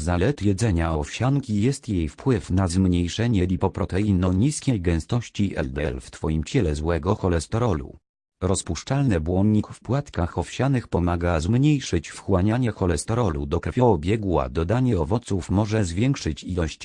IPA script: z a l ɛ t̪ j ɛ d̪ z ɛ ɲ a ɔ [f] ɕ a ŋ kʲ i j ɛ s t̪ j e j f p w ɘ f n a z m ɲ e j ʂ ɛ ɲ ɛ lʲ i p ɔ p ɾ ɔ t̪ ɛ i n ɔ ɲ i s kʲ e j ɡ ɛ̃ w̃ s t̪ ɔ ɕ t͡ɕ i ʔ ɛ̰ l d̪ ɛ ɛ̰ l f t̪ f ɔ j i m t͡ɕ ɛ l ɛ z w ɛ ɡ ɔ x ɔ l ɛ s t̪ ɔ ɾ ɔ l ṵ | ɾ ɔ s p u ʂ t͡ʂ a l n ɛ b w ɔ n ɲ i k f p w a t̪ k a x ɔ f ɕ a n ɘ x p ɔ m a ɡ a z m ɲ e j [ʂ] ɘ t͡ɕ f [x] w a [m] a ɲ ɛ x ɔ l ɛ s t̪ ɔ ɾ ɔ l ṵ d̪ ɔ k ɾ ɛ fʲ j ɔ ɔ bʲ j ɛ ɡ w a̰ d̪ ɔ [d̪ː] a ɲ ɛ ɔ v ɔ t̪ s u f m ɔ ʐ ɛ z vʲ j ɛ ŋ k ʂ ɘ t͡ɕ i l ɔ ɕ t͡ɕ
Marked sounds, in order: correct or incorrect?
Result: correct, correct, correct, incorrect, incorrect

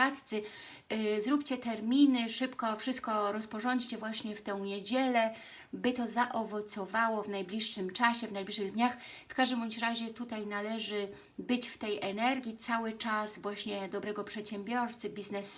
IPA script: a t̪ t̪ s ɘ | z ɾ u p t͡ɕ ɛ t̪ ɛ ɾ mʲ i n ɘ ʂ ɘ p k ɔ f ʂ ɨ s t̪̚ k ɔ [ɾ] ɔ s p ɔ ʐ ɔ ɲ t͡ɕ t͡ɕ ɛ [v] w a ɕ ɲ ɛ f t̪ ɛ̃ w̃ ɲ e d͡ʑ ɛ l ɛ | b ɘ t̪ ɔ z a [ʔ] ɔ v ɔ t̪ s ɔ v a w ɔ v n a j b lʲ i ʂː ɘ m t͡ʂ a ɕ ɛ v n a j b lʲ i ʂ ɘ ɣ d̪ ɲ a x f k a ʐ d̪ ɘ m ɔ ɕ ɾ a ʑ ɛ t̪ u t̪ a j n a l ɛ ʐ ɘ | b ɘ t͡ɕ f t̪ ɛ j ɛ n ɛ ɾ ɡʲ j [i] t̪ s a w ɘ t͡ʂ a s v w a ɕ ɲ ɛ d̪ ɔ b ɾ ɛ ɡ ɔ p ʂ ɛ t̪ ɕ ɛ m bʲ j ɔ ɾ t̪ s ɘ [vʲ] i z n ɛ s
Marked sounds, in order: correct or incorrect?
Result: correct, correct, correct, correct, incorrect

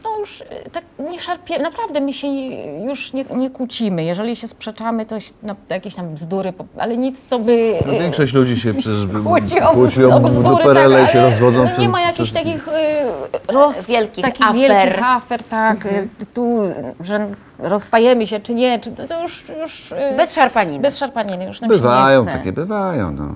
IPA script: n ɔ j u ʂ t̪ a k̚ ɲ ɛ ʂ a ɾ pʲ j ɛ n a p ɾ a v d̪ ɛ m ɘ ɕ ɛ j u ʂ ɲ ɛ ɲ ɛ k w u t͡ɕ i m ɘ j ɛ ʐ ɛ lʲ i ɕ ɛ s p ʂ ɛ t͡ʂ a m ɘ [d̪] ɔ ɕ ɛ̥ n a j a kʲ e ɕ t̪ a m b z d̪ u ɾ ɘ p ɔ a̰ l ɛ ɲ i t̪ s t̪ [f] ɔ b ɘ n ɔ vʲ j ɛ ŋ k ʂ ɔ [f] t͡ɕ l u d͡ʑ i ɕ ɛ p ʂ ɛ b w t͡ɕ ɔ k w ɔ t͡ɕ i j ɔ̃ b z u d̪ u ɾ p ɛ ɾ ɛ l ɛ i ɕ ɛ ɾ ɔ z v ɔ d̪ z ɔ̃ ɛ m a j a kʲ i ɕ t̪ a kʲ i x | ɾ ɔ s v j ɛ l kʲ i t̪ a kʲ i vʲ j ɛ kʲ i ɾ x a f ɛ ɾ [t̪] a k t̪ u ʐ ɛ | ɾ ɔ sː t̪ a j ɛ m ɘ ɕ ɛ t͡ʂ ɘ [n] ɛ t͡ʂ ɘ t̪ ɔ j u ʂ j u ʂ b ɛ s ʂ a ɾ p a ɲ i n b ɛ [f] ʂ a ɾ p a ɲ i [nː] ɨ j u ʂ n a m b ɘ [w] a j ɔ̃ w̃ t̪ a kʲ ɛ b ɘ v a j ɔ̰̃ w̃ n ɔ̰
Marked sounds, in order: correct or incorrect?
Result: incorrect, incorrect, incorrect, correct, incorrect, incorrect, incorrect, incorrect

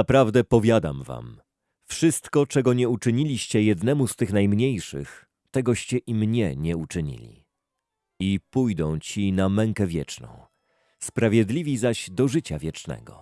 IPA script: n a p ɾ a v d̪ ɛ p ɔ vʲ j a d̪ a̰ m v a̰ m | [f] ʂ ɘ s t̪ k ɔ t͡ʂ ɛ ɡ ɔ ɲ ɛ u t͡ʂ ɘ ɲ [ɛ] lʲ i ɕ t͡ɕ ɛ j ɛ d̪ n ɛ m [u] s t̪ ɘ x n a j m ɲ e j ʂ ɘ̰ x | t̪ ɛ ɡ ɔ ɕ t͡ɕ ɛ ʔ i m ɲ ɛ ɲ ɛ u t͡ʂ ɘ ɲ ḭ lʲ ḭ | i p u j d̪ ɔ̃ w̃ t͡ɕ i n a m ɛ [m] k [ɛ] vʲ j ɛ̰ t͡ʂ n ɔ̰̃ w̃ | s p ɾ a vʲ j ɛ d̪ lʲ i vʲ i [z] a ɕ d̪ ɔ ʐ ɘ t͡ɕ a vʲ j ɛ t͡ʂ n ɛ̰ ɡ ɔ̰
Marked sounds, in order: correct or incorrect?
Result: correct, incorrect, correct, incorrect, correct, correct

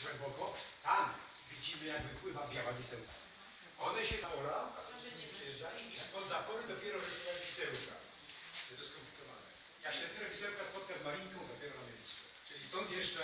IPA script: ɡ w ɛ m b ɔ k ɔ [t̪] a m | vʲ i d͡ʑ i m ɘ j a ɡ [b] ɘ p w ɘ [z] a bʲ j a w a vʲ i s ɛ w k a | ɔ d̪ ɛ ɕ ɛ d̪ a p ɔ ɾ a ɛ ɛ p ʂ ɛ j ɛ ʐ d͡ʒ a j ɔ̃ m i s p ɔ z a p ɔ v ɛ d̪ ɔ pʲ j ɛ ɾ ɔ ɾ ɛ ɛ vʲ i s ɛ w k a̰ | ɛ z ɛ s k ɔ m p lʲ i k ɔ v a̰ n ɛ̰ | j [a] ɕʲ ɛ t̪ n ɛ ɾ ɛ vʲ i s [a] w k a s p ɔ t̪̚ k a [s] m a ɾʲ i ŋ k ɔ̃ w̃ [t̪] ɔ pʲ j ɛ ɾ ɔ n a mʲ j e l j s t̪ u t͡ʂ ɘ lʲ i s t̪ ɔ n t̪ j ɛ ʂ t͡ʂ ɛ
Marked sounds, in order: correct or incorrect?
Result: correct, incorrect, incorrect, correct, incorrect, incorrect, incorrect

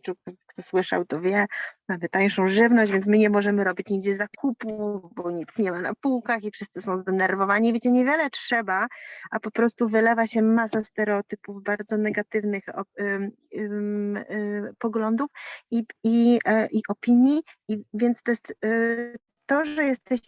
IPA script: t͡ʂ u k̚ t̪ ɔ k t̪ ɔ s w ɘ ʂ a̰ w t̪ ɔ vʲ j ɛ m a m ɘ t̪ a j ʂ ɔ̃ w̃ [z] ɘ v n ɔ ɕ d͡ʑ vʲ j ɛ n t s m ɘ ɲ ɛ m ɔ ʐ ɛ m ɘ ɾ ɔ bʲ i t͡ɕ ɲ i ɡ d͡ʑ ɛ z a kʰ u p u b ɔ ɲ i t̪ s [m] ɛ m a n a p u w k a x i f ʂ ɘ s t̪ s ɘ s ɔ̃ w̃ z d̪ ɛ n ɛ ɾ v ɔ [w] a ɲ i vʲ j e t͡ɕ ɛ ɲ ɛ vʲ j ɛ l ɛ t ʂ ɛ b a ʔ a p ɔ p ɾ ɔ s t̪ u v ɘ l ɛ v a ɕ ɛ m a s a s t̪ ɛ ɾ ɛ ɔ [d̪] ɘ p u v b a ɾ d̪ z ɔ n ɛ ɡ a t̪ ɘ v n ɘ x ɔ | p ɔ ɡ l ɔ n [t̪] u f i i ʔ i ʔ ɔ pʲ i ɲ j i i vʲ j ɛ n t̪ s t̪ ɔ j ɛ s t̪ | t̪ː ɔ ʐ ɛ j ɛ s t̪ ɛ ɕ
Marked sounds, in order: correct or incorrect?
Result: incorrect, incorrect, incorrect, incorrect, incorrect

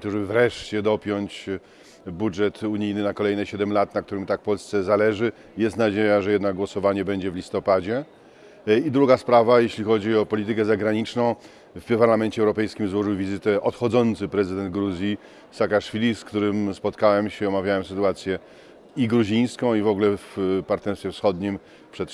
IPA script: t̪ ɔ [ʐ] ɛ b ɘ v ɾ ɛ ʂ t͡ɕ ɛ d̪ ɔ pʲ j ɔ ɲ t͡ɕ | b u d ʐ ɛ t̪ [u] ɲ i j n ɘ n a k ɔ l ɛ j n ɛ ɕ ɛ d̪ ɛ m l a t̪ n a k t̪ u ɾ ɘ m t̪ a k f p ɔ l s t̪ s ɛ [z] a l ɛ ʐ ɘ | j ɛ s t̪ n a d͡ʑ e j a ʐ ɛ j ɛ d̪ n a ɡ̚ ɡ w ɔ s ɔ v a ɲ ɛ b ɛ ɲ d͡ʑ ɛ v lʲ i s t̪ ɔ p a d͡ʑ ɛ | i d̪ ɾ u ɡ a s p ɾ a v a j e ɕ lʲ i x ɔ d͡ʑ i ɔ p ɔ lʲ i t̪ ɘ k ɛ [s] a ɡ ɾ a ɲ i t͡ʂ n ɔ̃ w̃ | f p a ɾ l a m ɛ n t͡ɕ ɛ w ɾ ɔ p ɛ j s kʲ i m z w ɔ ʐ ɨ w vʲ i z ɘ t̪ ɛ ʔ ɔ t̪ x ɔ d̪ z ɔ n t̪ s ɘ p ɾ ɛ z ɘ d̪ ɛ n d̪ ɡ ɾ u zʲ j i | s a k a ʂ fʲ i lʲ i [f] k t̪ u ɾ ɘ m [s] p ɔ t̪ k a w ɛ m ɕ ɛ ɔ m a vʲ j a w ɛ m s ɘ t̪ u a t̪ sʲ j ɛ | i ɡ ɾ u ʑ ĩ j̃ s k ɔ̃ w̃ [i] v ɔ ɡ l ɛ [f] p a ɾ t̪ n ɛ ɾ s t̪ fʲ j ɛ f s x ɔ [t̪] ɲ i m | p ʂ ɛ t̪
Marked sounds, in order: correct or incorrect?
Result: correct, correct, correct, incorrect, incorrect, correct, correct, correct, incorrect

